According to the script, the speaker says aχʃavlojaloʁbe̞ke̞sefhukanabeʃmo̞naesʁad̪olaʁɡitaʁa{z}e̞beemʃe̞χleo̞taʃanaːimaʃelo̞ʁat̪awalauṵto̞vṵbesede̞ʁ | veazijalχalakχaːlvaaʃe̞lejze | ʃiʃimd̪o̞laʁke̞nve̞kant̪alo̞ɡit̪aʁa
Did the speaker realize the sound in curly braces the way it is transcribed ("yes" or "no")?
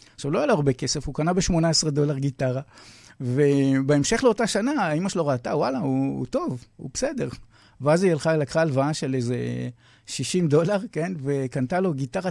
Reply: no